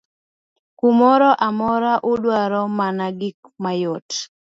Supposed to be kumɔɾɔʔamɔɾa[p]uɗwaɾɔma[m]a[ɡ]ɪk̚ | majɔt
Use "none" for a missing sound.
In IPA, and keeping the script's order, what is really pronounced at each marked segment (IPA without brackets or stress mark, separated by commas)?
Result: ʔ, n, ɡ